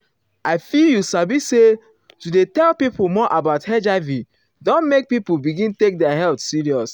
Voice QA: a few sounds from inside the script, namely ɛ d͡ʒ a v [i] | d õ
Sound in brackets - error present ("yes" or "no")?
no